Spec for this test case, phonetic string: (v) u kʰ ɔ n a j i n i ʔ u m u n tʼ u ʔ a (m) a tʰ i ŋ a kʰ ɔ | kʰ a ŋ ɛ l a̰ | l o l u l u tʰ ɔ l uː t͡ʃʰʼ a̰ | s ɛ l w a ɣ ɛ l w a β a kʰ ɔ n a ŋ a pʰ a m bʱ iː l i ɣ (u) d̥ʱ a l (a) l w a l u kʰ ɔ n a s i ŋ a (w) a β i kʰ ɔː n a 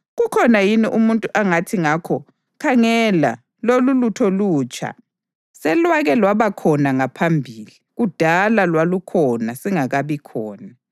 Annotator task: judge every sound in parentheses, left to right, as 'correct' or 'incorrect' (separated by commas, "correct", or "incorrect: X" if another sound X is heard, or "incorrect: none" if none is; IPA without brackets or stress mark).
incorrect: ɣ, incorrect: ŋ, correct, correct, incorrect: ɣ